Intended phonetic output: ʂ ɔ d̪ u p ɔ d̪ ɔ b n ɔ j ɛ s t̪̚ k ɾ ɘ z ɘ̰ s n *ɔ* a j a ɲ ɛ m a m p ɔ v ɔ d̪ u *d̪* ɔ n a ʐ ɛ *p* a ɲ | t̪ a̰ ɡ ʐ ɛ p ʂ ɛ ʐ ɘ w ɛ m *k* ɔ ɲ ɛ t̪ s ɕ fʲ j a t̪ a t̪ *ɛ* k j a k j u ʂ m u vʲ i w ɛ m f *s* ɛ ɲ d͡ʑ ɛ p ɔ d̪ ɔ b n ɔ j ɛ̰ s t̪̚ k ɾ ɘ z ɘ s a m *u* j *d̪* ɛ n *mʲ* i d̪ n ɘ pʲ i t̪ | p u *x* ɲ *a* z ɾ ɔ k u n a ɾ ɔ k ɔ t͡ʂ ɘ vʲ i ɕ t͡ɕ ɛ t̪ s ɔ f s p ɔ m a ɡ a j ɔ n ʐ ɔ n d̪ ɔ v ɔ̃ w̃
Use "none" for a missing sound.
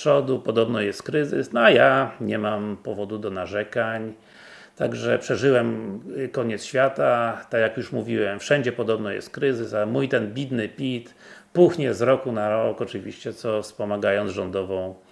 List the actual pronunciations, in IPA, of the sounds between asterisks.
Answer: ɔ, d̪, k, k, a, ʂ, u, t̪, bʲ, x, ɛ

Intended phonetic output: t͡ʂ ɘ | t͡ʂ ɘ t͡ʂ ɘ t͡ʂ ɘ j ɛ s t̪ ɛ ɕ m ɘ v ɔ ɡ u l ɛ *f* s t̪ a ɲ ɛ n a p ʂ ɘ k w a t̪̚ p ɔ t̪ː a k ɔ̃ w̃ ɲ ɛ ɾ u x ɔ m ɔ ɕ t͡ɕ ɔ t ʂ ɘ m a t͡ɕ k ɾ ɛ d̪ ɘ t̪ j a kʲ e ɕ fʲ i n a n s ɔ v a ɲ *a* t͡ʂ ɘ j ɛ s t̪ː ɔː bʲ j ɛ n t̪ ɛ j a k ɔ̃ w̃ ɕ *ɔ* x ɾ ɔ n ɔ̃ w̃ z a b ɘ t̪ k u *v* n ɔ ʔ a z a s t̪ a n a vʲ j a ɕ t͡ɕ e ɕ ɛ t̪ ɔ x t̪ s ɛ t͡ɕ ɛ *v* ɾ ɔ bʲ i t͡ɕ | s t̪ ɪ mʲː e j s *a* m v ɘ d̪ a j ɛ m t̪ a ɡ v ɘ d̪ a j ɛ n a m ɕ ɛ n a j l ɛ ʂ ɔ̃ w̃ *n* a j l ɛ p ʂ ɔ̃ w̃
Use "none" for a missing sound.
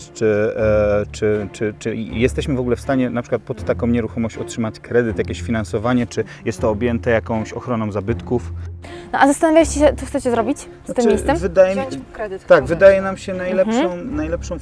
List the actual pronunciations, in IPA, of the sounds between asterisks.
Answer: f, ɛ, ɔ, f, z, ɛ, n

